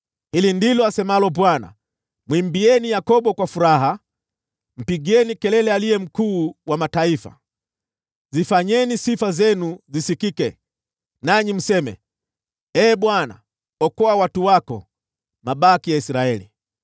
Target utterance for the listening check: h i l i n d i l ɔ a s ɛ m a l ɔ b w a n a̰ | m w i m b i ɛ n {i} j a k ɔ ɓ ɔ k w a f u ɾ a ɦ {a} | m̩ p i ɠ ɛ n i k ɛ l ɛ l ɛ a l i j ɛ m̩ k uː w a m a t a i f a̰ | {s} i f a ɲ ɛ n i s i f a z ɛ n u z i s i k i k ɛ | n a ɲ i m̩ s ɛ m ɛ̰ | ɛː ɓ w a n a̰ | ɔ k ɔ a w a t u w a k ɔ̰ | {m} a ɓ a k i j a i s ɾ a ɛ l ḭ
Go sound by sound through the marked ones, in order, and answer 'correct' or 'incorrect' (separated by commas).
correct, correct, incorrect, correct